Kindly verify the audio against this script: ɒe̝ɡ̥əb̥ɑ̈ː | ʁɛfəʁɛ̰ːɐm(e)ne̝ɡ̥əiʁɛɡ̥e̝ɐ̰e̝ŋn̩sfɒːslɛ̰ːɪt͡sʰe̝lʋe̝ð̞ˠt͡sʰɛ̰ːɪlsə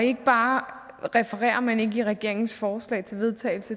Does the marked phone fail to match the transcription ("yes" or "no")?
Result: yes